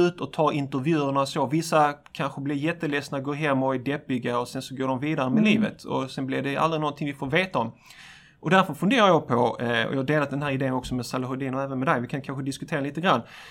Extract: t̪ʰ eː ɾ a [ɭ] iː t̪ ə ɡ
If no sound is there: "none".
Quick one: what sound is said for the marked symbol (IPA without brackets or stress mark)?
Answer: l